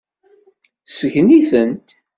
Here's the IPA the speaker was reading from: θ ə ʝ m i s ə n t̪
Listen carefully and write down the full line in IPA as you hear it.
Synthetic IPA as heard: s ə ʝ n i θ ə n t̪